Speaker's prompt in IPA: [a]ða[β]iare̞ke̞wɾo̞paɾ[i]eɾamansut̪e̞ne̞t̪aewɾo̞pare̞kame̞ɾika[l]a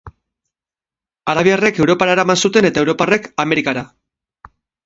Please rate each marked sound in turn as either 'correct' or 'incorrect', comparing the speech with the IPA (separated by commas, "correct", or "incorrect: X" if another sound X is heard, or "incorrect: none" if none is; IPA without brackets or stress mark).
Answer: correct, correct, incorrect: a, incorrect: ɾ